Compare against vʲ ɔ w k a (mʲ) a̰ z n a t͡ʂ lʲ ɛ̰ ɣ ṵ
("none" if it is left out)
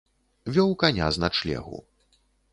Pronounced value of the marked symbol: nʲ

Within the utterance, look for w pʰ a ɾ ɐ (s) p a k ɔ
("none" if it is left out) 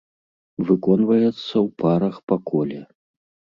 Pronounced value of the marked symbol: x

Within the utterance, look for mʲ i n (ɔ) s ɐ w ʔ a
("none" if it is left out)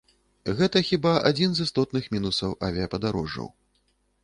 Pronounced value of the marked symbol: u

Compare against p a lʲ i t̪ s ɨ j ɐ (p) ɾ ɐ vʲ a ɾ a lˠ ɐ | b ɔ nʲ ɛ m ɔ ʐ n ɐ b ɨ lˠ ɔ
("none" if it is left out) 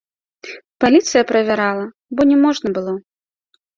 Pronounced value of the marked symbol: p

